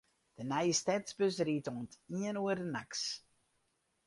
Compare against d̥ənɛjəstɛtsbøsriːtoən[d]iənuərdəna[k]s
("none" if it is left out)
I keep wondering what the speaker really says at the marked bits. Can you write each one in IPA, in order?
t, k

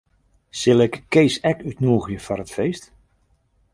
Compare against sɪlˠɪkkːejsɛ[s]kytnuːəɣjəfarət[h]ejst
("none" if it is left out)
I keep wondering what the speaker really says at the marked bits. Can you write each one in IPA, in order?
none, f

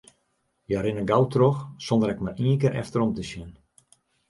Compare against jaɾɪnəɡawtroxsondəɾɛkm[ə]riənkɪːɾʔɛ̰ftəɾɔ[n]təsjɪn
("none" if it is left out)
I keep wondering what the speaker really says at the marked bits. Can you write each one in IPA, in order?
a, m

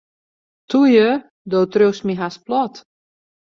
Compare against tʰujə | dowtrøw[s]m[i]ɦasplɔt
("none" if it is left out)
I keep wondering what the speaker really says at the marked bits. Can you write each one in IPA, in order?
s, i

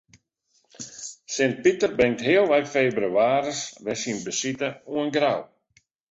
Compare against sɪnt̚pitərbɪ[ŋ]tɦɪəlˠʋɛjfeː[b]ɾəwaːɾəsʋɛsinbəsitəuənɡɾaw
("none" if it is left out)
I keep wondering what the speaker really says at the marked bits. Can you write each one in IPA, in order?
ŋ, b

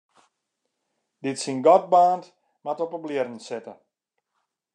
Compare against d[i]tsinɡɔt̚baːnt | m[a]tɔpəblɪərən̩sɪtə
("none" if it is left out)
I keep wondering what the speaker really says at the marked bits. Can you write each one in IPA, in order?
ɪ, a

